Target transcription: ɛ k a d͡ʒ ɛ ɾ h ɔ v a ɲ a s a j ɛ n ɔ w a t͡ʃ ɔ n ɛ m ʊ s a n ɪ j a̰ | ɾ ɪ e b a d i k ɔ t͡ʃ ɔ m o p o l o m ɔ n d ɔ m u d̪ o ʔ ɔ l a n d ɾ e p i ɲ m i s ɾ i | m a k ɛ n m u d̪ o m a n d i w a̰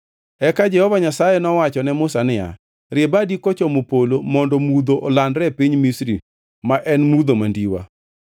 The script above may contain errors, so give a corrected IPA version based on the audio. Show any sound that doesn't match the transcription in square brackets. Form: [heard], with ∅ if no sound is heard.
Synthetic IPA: ɛ k a d͡ʒ ɛ [∅] h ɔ v a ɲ a s a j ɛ n ɔ w a t͡ʃ ɔ n ɛ m ʊ s a n ɪ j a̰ | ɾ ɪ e b a d i k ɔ t͡ʃ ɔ m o p o l o m ɔ n d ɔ m u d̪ o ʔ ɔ l a n d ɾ [ɛ] p i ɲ m i s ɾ i | m a [ʔ] ɛ n m u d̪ o m a n d i w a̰